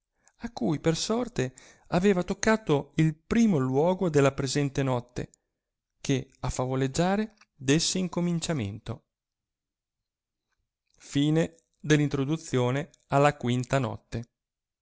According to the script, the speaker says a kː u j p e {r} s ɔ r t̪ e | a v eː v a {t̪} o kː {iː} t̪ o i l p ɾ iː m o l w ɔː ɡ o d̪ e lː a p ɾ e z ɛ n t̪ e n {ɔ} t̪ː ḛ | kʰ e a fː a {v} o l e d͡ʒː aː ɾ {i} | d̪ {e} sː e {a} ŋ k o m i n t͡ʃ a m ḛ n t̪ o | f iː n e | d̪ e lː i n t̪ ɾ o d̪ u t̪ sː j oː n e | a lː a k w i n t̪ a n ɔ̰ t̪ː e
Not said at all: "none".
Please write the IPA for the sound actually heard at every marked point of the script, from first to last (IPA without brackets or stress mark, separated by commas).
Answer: r, t̪, aː, ɔ, v, e, e, i